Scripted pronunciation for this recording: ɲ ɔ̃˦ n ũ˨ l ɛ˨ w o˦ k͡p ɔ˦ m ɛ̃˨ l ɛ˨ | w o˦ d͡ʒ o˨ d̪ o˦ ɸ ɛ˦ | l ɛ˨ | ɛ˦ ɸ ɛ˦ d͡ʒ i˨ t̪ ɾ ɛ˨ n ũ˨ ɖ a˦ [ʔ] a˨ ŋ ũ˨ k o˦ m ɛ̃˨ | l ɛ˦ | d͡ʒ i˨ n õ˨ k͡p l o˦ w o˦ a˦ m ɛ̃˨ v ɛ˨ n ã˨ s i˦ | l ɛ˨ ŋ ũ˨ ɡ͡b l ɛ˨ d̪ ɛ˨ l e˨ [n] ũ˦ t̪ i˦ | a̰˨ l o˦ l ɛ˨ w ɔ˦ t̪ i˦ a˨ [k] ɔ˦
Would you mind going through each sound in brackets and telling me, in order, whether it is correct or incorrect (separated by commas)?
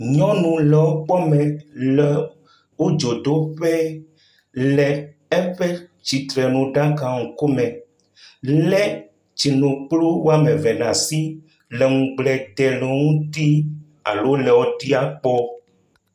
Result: incorrect, incorrect, incorrect